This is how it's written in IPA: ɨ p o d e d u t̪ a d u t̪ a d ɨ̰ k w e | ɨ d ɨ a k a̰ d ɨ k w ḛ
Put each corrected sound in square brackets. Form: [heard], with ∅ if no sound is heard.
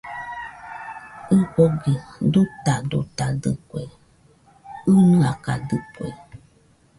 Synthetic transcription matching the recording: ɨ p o [ɡ] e d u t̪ a d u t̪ a d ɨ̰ k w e | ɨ [n] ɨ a k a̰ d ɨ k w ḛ